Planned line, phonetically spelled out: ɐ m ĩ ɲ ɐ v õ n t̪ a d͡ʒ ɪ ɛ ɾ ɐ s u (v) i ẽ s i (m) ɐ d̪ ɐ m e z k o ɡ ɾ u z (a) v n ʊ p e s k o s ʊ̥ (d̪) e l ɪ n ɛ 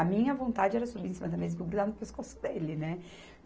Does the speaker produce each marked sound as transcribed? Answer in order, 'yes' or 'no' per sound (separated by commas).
no, yes, yes, yes